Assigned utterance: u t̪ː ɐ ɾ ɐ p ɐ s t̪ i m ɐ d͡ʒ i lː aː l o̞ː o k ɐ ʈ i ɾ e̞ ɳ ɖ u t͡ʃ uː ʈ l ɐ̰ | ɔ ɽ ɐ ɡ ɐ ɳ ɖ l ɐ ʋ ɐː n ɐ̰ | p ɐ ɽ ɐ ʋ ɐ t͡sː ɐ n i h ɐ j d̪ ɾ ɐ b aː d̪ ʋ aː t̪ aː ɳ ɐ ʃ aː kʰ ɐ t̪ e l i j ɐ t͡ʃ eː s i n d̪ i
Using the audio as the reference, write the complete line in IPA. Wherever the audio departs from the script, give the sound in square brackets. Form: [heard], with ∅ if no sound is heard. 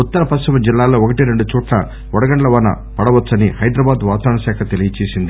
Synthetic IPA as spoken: u t̪ː ɐ ɾ ɐ p ɐ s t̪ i m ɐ d͡ʒ i lː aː l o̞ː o k ɐ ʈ i ɾ e̞ ɳ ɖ u t͡ʃ uː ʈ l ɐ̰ | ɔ ɽ ɐ ɡ ɐ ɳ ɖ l ɐ ʋ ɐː n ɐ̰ | p ɐ ɽ ɐ ʋ ɐ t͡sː ɐ n i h ɐ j d̪ ɾ ɐ b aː d̪ ʋ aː t̪ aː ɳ ɐ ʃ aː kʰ ɐ t̪ e l i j ɐ t͡ʃ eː s i n d̪ i